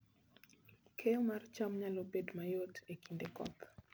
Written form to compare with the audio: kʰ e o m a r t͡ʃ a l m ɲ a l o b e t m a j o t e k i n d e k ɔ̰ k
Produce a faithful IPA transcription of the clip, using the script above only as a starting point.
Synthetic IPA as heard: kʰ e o m a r t͡ʃ a m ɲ a l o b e d m a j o t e k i n d e k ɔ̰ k